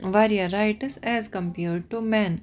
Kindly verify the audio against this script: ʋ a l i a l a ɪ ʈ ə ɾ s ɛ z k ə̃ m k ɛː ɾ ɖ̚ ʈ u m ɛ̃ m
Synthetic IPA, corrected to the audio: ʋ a ɾ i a ɾ a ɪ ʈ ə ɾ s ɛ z k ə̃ m p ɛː ɾ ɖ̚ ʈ u m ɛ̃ n